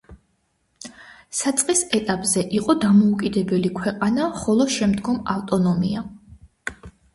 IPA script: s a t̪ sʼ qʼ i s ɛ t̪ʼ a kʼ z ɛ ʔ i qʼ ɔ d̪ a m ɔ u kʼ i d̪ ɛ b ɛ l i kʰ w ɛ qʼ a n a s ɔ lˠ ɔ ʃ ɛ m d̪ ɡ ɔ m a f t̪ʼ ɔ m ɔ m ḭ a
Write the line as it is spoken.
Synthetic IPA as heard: s a t̪ sʼ qʼ i s ɛ t̪ʼ a pʼ z ɛ ʔ i qʼ ɔ d̪ a m ɔ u kʼ i d̪ ɛ b ɛ l i kʰ w ɛ qʼ a n a χ ɔ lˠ ɔ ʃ ɛ m d̪ ɡ ɔ m a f t̪ʼ ɔ n ɔ m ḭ a